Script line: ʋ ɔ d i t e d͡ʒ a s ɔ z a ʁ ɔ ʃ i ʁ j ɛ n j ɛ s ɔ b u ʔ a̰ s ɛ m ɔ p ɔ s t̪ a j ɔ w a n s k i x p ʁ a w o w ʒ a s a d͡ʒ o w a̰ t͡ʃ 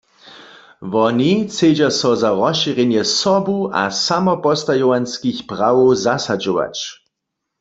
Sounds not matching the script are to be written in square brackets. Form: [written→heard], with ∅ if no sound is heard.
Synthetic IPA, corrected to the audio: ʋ ɔ [d→n] i [t→t͡s] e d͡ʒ a s ɔ z a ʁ ɔ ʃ i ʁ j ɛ n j ɛ s ɔ b u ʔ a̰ s [ɛ→a] m ɔ p ɔ s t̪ a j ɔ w a n s k i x p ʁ a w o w [ʒ→z] a s a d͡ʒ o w a̰ t͡ʃ